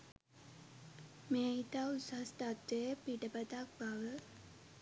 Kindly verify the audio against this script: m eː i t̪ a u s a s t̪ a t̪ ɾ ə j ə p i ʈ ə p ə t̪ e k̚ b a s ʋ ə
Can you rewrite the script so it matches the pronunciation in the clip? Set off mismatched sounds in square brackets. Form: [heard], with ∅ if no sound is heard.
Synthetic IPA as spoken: m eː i t̪ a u s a s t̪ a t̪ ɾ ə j ə p i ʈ ə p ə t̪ [a] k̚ b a [∅] ʋ ə